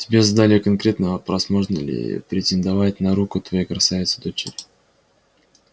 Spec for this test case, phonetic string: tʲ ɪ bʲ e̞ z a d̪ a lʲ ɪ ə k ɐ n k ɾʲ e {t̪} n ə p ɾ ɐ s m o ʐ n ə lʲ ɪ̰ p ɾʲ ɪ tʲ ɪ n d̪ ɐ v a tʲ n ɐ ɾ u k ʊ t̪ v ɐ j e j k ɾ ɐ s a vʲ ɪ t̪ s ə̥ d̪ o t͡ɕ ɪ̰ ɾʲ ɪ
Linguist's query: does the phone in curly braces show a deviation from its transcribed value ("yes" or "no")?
no